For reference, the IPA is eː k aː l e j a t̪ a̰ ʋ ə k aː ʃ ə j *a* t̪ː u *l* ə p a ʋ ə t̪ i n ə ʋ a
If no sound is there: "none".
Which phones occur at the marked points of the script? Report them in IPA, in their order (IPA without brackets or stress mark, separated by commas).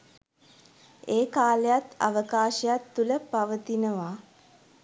a, l